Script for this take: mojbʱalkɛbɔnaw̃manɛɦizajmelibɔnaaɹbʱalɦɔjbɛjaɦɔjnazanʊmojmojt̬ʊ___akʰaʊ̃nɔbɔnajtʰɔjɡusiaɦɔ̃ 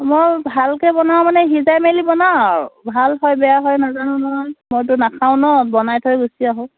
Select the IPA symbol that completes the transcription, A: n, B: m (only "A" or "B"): A